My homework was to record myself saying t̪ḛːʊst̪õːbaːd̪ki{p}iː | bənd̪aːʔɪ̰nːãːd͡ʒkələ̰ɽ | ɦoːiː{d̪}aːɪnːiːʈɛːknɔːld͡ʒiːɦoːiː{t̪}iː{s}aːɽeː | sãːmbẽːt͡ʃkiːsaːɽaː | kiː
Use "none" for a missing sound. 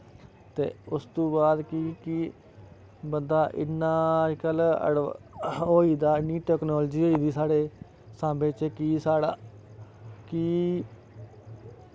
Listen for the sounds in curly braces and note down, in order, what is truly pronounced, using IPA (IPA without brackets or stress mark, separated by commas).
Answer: k, d̪, d̪, s